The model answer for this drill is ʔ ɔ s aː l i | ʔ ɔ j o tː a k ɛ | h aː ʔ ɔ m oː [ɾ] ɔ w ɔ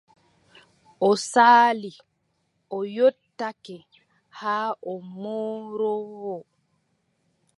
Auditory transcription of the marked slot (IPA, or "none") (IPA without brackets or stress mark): ɾ